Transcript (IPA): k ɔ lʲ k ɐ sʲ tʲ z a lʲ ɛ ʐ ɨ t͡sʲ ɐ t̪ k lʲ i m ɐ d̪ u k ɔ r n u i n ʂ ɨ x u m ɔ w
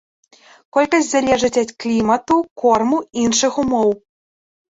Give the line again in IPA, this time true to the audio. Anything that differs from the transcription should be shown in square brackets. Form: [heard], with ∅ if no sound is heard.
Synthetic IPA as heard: k ɔ lʲ k ɐ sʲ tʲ z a lʲ ɛ ʐ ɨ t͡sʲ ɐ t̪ k lʲ i m ɐ [t̪] u k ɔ r [m] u i n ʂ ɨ x u m ɔ w